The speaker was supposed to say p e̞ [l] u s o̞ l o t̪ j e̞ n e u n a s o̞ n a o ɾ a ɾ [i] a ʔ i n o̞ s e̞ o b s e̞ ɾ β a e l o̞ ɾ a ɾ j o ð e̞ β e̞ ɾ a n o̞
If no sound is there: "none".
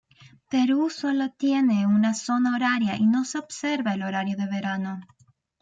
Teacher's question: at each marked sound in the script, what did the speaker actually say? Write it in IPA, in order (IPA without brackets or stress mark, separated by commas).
ɾ, j